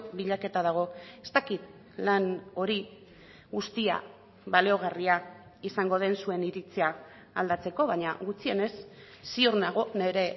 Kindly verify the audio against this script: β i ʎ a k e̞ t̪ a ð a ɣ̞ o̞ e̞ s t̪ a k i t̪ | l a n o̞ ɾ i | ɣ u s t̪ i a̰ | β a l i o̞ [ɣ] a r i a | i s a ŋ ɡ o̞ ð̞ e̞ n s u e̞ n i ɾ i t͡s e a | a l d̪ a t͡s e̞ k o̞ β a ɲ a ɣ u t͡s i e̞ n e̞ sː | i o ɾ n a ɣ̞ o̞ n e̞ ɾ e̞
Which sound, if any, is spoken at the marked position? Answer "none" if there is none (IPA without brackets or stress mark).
ɣ